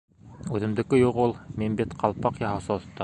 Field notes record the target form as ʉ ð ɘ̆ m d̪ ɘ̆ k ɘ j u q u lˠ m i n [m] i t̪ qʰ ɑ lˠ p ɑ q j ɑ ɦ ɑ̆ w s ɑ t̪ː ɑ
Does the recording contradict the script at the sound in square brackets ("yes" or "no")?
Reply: yes